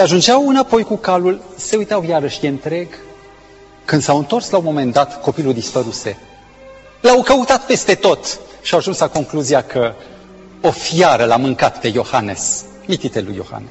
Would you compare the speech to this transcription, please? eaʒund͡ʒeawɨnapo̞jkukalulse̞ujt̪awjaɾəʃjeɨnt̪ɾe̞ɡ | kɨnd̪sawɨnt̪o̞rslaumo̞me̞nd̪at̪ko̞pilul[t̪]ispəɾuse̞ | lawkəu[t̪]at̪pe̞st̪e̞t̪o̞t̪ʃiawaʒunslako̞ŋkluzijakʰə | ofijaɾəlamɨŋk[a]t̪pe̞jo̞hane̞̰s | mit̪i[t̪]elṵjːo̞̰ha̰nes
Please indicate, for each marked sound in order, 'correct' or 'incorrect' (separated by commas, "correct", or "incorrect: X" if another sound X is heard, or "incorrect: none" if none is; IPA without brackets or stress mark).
incorrect: d̪, correct, correct, correct